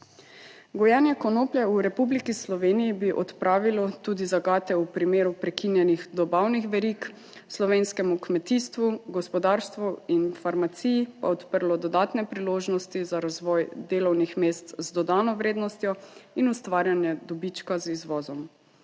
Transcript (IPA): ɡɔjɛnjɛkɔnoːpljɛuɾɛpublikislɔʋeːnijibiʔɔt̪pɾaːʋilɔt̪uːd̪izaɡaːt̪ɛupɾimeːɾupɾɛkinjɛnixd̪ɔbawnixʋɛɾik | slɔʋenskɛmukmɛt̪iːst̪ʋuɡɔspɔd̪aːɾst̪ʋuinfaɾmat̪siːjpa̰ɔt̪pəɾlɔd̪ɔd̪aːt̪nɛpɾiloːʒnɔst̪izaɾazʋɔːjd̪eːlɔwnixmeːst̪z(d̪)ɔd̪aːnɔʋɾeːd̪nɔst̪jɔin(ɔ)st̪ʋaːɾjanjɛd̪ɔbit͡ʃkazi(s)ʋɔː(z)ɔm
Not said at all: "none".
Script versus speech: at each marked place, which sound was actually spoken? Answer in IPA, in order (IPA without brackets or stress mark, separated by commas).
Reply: d̪, u, z, z